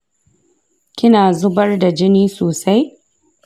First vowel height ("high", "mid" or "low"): high